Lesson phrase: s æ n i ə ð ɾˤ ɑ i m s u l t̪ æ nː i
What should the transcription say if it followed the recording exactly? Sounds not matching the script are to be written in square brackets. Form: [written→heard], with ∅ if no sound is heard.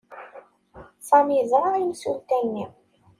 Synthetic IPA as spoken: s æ [n→m] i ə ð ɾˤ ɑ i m s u l t̪ æ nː i